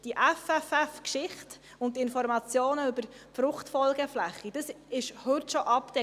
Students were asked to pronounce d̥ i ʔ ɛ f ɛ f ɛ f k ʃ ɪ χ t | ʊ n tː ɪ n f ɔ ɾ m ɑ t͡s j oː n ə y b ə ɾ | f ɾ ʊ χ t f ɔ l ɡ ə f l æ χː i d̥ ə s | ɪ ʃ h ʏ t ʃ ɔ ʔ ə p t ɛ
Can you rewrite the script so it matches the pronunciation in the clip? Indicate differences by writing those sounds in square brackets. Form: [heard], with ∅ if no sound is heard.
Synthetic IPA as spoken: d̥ i ʔ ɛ f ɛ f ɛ f k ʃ ɪ χ t | ʊ n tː ɪ n f ɔ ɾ m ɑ t͡s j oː n ə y b ə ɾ | f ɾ ʊ χ t f ɔ l ɡ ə f l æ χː i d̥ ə s | ɪ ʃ h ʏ t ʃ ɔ ʔ [ɑ] p t ɛ